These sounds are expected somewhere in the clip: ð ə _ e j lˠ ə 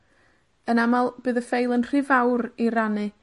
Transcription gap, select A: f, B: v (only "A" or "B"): A